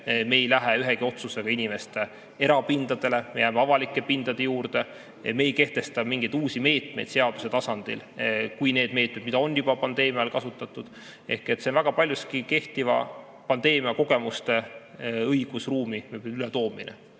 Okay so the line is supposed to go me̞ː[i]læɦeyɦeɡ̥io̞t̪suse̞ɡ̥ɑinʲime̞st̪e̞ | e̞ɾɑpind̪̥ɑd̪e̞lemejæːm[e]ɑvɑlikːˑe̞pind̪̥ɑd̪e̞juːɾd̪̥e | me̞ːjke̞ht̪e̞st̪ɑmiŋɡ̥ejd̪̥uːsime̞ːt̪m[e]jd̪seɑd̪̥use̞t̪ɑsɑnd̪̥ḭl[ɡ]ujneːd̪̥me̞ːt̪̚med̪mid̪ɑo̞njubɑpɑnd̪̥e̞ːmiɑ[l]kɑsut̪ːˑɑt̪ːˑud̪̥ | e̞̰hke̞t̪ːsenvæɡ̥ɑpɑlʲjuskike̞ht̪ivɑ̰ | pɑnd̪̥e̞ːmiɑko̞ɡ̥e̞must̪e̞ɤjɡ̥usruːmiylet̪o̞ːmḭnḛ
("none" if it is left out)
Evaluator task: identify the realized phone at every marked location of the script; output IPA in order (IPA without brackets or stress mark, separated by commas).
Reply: j, e, e, k, l